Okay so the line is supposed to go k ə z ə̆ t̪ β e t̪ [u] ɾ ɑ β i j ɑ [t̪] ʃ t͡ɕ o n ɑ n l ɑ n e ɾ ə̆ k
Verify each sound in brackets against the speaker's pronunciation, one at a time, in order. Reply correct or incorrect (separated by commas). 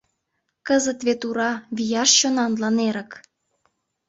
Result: correct, incorrect